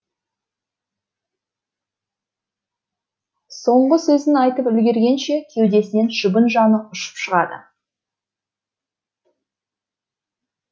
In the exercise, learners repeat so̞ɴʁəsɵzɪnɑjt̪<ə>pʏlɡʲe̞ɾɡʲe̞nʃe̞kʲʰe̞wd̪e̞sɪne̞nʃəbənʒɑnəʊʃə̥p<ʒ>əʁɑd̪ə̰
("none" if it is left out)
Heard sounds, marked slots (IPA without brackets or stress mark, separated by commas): ə, ʃ